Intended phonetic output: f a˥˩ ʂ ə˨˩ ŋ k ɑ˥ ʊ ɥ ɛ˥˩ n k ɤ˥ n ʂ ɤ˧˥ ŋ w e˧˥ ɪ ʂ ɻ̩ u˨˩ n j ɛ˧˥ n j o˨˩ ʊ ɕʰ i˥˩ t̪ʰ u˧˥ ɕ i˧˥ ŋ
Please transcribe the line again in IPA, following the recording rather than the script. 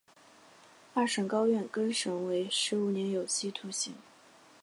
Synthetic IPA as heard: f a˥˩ ʂ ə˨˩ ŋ k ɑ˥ ʊ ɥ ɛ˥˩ n k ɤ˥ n ʂ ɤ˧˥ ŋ w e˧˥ ɪ ʂ ɻ̩ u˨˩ n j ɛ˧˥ n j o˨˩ ʊ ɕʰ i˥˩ t̪ʰ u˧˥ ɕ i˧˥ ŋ

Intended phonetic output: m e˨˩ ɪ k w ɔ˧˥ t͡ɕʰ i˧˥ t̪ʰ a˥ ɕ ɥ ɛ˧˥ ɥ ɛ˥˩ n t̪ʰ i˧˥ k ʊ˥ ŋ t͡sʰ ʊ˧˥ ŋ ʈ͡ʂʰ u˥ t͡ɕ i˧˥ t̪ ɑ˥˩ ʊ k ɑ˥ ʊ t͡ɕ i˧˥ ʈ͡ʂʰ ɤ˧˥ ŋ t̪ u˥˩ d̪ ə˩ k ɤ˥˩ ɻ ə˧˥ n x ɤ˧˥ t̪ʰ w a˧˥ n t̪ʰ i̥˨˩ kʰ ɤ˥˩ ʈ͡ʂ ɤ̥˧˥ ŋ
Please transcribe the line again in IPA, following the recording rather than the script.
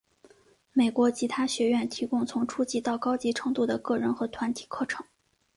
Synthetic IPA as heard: m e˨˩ ɪ k w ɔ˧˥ t͡ɕʰ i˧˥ t̪ʰ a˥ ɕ ɥ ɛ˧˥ ɥ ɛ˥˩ n t̪ʰ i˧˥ k ʊ˥ ŋ t͡sʰ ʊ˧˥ ŋ ʈ͡ʂʰ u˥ t͡ɕ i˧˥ t̪ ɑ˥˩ ʊ k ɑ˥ ʊ t͡ɕ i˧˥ ʈ͡ʂʰ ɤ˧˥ ŋ t̪ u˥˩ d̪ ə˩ k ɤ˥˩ ɻ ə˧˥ n x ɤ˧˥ t̪ʰ w a˧˥ n t̪ʰ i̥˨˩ kʰ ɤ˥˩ ʈ͡ʂʰ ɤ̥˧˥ ŋ

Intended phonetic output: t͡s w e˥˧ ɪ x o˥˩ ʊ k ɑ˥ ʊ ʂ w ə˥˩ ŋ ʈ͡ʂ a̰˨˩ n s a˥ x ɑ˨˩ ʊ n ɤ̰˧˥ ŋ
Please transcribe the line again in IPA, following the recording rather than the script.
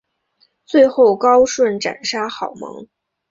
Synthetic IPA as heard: t͡s w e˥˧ ɪ x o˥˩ ʊ k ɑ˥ ʊ ʂ w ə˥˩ n ʈ͡ʂ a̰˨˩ n ʂ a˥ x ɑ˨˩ ʊ m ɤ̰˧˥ ŋ

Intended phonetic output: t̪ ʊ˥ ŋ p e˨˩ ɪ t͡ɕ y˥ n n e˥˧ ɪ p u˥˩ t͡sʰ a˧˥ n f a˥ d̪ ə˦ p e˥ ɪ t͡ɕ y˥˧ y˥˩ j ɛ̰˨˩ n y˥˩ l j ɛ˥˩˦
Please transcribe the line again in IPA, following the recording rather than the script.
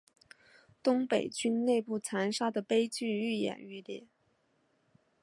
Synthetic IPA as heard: t̪ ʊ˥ ŋ p e˨˩ ɪ t͡ɕ y˥ n n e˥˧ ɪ p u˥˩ t͡sʰ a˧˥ n ʂ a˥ d̪ ə˨ p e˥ ɪ t͡ɕ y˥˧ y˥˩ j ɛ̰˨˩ n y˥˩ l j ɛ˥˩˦

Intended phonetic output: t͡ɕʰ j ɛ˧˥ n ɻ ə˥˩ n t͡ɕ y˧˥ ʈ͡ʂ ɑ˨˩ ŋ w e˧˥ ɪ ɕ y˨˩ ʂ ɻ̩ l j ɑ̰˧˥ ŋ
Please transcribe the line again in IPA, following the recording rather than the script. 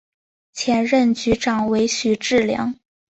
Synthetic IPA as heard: t͡ɕʰ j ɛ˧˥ n ɻ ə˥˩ n t͡ɕ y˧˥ ʈ͡ʂ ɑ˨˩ ŋ w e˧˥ ɪ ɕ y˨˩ ʈ͡ʂ ɻ̩ l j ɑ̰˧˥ ŋ

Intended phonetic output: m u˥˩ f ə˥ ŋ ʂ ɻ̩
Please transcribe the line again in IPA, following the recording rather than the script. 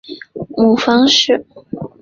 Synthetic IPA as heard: m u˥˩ f ɑ˥ ŋ ʂ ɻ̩

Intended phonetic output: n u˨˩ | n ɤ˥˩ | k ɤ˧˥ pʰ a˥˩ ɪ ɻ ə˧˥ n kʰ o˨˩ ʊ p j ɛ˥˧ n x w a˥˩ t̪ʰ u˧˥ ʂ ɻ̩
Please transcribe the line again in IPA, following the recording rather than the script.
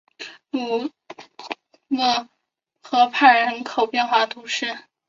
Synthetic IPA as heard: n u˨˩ | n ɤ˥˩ | x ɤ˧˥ pʰ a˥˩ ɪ ɻ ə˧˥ n kʰ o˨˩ ʊ p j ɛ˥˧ n x w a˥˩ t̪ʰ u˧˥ ʂ ɻ̩

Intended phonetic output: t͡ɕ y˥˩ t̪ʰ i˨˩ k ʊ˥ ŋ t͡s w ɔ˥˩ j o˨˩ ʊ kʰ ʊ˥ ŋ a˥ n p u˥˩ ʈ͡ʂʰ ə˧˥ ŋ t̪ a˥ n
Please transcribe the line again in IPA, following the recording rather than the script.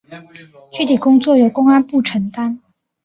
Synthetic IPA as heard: t͡ɕ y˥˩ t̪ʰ i˨˩ k ʊ˥ ŋ t͡s w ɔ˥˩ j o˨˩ ʊ k ʊ˥ ŋ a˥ n p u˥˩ ʈ͡ʂʰ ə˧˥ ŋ t̪ a˥ n

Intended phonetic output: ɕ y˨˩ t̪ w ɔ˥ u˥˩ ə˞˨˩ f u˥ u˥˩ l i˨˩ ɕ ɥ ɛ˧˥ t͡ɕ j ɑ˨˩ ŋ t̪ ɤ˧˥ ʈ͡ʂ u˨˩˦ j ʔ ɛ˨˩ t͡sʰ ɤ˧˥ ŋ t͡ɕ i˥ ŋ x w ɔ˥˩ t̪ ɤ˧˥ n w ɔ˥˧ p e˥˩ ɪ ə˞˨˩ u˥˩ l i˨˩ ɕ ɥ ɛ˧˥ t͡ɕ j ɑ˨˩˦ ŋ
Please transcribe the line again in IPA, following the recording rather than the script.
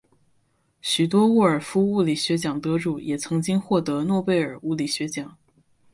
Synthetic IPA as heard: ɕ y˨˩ t̪ w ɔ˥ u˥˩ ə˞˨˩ f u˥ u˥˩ l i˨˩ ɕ ɥ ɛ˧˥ t͡ɕ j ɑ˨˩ ŋ t̪ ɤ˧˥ ʈ͡ʂ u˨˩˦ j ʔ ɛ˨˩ t͡sʰ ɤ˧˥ ŋ t͡ɕ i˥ ŋ x w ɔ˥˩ t̪ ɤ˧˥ n w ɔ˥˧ p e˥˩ ɪ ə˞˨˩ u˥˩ l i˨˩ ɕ ɥ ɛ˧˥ t͡ɕ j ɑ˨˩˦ ŋ

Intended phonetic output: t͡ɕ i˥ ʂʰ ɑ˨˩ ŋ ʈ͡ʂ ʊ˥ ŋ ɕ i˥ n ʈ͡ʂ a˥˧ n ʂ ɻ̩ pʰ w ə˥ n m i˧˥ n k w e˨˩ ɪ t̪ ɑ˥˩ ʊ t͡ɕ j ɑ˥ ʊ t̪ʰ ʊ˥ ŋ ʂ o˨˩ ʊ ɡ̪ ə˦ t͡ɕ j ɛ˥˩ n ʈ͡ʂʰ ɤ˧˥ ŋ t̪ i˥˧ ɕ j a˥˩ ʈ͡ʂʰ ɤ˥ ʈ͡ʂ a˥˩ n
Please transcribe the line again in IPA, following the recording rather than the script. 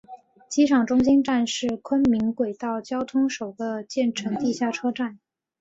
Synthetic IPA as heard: t͡ɕ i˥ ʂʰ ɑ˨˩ ŋ ʈ͡ʂ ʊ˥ ŋ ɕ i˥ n ʈ͡ʂ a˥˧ n ʂ ɻ̩ kʰ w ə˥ n m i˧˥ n k w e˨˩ ɪ t̪ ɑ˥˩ ʊ t͡ɕ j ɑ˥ ʊ t̪ʰ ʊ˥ ŋ ʂ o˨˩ ʊ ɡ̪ ə˦ t͡ɕ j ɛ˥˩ n ʈ͡ʂʰ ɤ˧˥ ŋ t̪ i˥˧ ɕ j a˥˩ ʈ͡ʂʰ ɤ˥ ʈ͡ʂ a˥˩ n

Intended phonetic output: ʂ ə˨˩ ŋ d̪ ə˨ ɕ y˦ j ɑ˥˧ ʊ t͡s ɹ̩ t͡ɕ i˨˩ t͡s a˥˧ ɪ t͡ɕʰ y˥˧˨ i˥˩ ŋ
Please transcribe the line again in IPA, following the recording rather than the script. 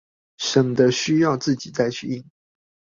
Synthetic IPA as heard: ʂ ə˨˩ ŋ d̪ ə˦ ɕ y˦ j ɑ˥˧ ʊ t͡s ɹ̩ t͡ɕ i˨˩ t͡s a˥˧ ɪ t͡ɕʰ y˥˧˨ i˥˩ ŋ

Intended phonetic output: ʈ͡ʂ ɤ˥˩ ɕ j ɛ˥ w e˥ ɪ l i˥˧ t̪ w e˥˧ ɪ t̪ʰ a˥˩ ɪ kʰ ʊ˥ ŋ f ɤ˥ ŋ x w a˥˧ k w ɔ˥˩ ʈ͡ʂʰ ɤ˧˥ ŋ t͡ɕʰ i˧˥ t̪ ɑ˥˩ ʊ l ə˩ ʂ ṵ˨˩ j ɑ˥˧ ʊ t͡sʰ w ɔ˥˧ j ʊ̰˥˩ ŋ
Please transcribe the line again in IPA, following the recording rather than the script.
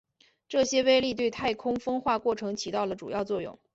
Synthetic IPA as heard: ʈ͡ʂ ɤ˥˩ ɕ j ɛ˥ w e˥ ɪ l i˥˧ t̪ w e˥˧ ɪ t̪ʰ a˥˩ ɪ kʰ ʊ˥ ŋ f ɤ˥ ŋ x w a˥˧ k w ɔ˥˩ ʈ͡ʂʰ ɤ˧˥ ŋ t͡ɕʰ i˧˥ t̪ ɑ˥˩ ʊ l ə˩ ʈ͡ʂ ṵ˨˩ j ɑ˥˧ ʊ t͡s w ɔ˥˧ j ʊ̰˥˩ ŋ

